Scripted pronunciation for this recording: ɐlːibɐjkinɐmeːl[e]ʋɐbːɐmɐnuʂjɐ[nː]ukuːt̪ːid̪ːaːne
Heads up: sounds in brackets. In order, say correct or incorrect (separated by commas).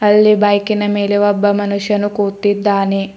correct, incorrect